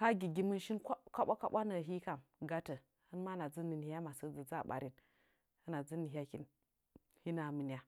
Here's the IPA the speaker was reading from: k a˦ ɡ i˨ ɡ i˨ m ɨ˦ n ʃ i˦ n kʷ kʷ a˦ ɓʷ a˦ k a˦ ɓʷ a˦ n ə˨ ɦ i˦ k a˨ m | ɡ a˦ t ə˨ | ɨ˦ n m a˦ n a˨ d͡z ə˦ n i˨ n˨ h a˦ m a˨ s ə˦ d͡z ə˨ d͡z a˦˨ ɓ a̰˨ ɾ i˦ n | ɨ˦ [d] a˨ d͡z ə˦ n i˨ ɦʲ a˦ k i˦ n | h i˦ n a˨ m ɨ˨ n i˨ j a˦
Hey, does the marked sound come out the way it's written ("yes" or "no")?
no